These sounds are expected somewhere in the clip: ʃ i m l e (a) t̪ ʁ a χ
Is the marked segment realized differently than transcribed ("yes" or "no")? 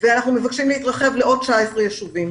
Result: yes